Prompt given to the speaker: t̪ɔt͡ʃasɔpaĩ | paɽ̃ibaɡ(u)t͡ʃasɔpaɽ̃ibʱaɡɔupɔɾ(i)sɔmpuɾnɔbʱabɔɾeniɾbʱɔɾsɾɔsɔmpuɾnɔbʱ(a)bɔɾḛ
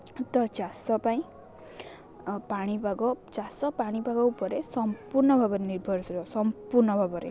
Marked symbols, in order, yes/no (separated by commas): no, no, yes